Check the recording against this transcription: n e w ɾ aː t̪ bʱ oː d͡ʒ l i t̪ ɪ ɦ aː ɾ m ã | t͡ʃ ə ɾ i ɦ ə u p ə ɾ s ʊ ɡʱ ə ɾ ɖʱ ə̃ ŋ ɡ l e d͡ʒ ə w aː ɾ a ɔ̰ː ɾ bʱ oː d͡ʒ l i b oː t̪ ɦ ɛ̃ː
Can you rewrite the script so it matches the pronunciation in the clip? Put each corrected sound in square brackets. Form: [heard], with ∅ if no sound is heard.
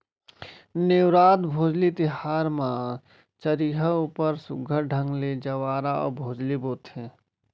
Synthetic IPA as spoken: n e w ɾ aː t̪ bʱ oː d͡ʒ l i t̪ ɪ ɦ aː ɾ m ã | t͡ʃ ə ɾ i ɦ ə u p ə ɾ s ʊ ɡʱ ə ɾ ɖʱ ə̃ ŋ ɡ l e d͡ʒ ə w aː ɾ a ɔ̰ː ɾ bʱ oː d͡ʒ l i b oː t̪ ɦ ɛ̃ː